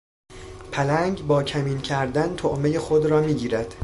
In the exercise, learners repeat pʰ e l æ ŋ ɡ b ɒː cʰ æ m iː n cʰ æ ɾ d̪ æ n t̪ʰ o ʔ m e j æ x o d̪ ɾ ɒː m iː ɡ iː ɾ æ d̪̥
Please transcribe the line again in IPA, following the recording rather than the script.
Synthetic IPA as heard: pʰ æ l æ ŋ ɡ b ɒː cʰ æ m iː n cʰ æ ɾ d̪ æ n t̪ʰ o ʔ m e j e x o d̪ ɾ ɒː m iː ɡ iː ɾ æ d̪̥